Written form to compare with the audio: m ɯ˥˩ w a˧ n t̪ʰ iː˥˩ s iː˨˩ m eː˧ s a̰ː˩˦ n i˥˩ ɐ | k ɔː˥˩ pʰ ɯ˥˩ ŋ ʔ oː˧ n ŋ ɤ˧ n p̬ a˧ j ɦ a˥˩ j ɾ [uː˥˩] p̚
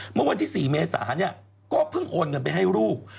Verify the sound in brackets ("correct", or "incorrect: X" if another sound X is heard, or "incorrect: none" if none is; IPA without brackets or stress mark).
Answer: correct